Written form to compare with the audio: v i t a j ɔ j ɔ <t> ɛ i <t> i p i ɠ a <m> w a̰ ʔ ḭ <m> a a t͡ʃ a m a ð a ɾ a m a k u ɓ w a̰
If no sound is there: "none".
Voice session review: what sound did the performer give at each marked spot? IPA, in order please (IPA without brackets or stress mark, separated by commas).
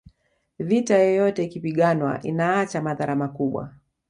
t, k, n, n